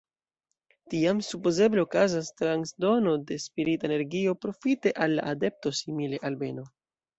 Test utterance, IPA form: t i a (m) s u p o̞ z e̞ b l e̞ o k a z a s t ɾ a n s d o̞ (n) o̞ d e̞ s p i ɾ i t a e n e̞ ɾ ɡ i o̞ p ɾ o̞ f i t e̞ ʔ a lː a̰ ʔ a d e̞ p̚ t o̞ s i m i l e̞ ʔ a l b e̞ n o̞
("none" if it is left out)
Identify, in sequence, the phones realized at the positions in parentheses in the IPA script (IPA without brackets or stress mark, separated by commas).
m, n